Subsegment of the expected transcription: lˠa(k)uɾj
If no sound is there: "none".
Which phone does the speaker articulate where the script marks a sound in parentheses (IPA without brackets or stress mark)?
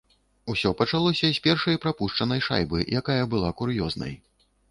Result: k